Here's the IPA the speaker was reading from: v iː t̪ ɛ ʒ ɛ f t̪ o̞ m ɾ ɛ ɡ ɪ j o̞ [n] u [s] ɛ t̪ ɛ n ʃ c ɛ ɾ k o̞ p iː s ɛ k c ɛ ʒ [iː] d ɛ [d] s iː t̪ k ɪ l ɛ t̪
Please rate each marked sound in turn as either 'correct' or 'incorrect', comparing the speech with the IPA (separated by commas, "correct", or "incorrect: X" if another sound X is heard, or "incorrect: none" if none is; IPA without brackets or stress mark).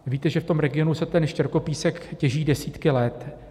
correct, correct, correct, incorrect: none